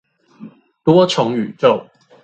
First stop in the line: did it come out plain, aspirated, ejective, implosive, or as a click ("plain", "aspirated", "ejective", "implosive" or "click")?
plain